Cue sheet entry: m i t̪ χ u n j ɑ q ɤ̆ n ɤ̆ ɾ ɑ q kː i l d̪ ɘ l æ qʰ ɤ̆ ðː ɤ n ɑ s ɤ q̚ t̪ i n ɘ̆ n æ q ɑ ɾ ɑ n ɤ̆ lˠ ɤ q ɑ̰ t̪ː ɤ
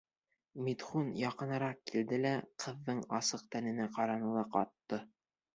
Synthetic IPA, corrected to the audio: m i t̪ χ u n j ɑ q ɤ̆ n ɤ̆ ɾ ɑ q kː i l d̪ ɘ l æ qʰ ɤ̆ ðː ɤ ɴ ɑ s ɤ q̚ t̪ æ n ɘ̆ n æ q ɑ ɾ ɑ n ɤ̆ lˠ ɤ q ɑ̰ t̪ː ɤ